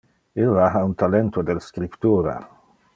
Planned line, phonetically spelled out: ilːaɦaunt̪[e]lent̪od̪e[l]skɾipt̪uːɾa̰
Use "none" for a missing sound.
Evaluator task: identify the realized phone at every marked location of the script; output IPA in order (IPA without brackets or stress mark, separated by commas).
a, l